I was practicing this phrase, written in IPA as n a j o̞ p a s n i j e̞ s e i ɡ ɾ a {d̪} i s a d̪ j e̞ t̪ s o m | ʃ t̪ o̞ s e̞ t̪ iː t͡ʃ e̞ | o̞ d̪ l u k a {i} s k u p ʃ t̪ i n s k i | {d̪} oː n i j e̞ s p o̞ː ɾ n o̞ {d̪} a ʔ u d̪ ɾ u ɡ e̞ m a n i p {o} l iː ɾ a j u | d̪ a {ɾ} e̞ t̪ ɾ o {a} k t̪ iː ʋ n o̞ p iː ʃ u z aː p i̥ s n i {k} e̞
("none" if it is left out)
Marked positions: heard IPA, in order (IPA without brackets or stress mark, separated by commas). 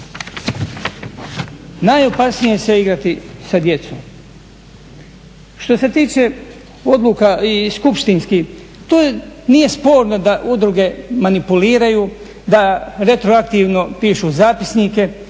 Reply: t̪, i, t̪, d̪, u, ɾ, a, k